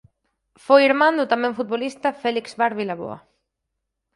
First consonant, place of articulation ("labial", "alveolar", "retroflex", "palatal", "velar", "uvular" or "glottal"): labial